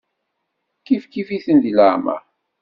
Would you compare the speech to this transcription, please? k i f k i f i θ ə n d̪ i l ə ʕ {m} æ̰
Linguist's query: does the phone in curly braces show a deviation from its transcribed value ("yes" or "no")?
no